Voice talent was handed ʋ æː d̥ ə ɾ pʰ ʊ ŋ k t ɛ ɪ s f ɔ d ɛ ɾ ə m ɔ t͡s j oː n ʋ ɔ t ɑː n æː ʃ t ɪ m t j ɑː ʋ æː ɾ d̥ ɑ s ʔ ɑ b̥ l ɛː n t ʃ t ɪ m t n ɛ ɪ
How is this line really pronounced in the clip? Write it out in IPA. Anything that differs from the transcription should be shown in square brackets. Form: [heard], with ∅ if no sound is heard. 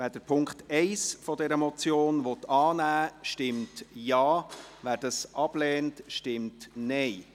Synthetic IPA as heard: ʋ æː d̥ ə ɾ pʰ ʊ ŋ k t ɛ ɪ s f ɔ d ɛ ɾ ə m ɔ t͡s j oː n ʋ ɔ t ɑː n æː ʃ t ɪ m t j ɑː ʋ æː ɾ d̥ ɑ s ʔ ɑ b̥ l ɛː n t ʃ t ɪ m t n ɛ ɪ

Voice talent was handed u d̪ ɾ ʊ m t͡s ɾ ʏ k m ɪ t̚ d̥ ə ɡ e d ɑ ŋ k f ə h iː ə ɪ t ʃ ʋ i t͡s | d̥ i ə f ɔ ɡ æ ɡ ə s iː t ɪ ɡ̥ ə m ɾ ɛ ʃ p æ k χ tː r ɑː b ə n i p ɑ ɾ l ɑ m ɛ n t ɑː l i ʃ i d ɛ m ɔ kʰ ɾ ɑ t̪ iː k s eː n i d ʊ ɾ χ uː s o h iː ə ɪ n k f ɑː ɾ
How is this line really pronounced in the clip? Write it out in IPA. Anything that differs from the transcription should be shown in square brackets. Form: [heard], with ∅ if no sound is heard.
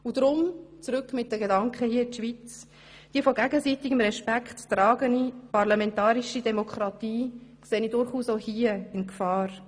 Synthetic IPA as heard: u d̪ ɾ ʊ m t͡s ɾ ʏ k m ɪ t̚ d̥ ə ɡ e d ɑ ŋ k [χ] ə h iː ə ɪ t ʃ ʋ i t͡s | d̥ i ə f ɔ ɡ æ ɡ ə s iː t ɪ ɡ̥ ə m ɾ ɛ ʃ p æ k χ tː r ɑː [ɡ] ə n i p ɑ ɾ l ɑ m ɛ n t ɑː [ɾ] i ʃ i d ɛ m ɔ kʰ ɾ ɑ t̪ iː k s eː n i d ʊ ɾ χ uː s o h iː ə ɪ n k f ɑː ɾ

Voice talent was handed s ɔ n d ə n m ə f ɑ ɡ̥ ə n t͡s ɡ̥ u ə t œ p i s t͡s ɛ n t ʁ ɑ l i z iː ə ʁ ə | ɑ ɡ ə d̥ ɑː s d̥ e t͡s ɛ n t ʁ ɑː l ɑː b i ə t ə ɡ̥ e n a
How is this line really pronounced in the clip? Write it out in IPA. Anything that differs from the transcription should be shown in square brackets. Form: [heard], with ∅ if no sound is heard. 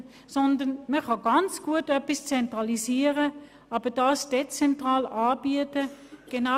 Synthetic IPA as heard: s ɔ n d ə n m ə [χ] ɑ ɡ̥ [ɑ] n t͡s ɡ̥ u ə t œ p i s t͡s ɛ n t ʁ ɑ l i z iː ə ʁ ə | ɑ [b] ə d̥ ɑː s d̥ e t͡s ɛ n t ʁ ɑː l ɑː b i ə t ə ɡ̥ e n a

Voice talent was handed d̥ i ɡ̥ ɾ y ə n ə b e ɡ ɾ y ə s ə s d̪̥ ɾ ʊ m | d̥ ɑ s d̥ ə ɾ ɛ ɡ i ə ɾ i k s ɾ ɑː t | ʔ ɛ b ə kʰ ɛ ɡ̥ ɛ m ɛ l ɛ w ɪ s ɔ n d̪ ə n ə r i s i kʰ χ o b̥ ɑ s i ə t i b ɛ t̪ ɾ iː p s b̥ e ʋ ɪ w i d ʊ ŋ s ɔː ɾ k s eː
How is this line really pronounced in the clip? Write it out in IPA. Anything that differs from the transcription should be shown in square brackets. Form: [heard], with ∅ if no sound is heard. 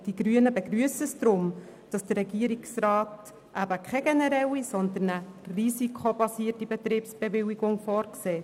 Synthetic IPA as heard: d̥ i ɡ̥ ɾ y ə n ə b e ɡ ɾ y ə s ə s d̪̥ ɾ ʊ m | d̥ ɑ s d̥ ə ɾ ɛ ɡ i ə ɾ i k s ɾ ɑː t | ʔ [æ] b ə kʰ ɛ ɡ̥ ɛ [n] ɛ [ɾ] ɛ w [i] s ɔ n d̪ ə n ə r i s i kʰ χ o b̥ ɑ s i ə t i b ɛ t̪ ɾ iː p s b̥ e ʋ ɪ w i [ɡ] ʊ ŋ [f] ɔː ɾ k s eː

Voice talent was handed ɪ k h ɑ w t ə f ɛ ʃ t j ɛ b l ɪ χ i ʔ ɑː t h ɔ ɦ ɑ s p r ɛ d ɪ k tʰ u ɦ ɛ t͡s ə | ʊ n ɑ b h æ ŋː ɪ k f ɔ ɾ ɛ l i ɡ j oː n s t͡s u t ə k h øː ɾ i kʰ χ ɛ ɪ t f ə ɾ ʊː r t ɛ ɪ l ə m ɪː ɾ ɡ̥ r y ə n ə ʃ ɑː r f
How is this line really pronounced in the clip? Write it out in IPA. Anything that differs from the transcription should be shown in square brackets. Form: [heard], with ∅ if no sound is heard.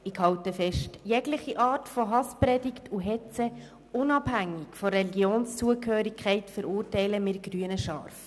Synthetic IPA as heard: ɪ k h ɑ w t ə f ɛ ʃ t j ɛ [ɡ] l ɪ χ i ʔ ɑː t [f] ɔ ɦ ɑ s p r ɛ d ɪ k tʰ u ɦ ɛ t͡s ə | ʊ n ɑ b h æ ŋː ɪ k f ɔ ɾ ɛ l i ɡ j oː n s t͡s u [∅] ə k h øː ɾ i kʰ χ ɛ ɪ t f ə ɾ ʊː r t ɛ ɪ l ə m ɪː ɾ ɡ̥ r y ə n ə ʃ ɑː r f

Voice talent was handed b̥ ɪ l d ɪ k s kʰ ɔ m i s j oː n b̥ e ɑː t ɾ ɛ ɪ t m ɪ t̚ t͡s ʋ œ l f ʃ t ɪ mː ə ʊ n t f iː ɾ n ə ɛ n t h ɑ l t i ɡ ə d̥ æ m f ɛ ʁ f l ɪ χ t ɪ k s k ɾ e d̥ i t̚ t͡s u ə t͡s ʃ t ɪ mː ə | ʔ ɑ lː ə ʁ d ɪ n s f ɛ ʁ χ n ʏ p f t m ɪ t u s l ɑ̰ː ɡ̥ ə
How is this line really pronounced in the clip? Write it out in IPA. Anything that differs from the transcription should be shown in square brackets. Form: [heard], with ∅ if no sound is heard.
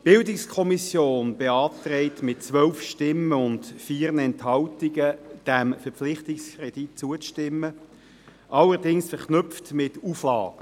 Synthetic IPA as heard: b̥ ɪ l d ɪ k s kʰ ɔ m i s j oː n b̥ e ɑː t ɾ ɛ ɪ t m ɪ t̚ t͡s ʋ œ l f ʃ t ɪ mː ə ʊ n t f iː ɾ n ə ɛ n t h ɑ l t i ɡ ə d̥ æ m f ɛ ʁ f l ɪ χ t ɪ k s k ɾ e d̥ i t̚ t͡s u ə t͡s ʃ t ɪ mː ə | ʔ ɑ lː ə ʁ d ɪ [ŋ] s f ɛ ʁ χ n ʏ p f t m ɪ t u [f] l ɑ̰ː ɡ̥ ə

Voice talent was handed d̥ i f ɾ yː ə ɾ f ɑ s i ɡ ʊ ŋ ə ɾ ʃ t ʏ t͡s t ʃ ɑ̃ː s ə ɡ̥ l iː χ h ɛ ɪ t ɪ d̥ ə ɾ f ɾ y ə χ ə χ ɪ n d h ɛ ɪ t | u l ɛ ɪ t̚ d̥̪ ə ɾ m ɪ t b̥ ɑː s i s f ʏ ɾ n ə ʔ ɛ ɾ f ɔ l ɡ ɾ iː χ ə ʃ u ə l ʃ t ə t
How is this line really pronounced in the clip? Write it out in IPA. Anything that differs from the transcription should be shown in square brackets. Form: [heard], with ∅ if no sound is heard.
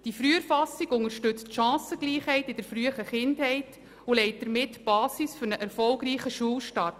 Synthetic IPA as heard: d̥ i f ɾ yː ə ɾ f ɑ s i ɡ ʊ ŋ ə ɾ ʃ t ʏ t͡s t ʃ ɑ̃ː s ə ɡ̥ l iː χ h ɛ ɪ t ɪ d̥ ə ɾ f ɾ y ə χ ə χ ɪ n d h ɛ ɪ t | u l ɛ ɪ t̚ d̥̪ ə ɾ m ɪ t b̥ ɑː s i s f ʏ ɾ n ə ʔ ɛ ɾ f ɔ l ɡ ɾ iː χ ə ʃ u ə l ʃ t [ɑ] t

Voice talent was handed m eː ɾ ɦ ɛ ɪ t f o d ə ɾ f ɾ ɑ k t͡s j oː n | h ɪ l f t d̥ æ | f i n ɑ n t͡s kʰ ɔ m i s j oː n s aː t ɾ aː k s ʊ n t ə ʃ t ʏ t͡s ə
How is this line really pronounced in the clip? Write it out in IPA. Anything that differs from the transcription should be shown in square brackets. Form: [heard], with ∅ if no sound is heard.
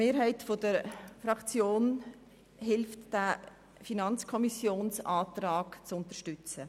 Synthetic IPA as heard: m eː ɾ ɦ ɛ ɪ t f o d ə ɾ f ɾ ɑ k t͡s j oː n | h ɪ l f t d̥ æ | f i n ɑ n t͡s kʰ ɔ m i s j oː n s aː t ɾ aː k [t͡s] ʊ n t ə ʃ t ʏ t͡s ə

